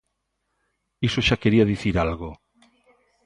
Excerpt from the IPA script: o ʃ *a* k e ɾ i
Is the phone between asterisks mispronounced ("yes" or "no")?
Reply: no